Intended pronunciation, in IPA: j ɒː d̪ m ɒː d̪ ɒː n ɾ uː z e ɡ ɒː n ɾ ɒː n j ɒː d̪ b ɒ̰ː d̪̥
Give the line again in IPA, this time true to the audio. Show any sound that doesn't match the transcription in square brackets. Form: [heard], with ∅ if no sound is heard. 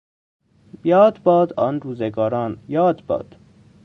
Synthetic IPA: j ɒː d̪ [b] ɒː d̪ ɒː n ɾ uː z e ɡ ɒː [∅] ɾ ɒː n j ɒː d̪ b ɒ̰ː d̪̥